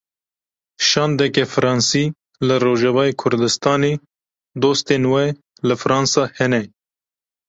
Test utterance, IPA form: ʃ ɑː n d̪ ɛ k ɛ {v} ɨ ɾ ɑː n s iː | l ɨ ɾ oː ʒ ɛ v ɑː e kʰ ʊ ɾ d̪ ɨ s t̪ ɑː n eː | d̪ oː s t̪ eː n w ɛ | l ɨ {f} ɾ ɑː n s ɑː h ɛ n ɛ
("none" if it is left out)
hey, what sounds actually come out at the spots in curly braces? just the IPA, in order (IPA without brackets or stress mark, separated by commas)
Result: f, f